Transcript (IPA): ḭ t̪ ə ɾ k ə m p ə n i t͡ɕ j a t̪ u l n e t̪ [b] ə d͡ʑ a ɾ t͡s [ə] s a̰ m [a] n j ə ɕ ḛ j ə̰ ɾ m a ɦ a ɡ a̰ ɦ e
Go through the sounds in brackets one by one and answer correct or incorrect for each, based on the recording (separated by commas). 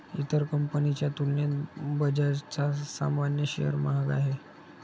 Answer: correct, incorrect, correct